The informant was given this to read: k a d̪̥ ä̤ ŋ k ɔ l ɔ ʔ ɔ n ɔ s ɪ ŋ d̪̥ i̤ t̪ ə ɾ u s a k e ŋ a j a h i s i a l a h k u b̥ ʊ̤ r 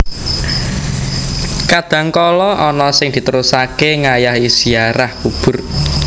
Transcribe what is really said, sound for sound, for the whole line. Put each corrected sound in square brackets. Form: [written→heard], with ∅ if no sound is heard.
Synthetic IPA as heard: k a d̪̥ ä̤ ŋ k ɔ l ɔ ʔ ɔ n ɔ s ɪ ŋ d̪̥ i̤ t̪ ə ɾ u s a k e ŋ a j a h i s i a [l→ɾ] a h k u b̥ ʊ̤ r